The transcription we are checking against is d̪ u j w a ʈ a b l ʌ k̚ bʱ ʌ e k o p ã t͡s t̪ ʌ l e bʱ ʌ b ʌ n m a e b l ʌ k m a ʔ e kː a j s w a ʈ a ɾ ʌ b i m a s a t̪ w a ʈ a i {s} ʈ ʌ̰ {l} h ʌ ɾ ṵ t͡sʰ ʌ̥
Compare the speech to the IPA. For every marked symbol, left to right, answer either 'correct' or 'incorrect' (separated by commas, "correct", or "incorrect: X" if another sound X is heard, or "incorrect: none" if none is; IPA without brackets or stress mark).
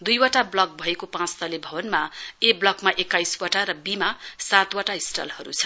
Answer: correct, correct